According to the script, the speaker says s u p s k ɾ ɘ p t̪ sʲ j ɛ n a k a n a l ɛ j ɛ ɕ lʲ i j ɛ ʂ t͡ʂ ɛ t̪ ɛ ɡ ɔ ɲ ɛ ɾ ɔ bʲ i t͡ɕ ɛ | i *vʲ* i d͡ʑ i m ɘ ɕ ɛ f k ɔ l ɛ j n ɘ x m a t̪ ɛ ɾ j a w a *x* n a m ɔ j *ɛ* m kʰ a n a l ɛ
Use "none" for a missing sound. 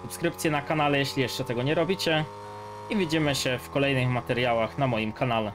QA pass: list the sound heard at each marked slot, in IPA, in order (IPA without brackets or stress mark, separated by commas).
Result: vʲ, x, i